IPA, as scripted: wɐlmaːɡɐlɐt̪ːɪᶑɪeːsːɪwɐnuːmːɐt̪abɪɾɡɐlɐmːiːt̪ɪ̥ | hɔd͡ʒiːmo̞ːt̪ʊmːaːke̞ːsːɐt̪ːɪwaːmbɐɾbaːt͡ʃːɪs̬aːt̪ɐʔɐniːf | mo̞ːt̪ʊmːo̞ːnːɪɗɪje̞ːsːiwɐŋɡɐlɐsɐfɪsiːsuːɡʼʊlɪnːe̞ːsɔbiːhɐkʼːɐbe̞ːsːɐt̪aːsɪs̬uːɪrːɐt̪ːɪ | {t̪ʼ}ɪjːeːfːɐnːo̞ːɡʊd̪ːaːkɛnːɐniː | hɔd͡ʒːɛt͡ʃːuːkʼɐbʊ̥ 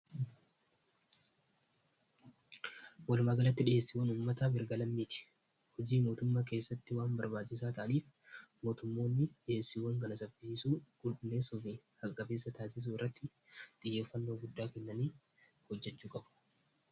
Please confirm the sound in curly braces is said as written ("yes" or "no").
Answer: yes